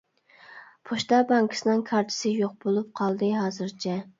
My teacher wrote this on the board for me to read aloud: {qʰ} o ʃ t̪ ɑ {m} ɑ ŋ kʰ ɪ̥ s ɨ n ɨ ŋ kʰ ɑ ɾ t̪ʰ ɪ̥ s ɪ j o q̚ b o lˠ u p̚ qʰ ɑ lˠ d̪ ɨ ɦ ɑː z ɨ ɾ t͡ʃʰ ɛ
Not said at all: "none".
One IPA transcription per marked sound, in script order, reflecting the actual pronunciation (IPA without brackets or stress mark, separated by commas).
pʰ, b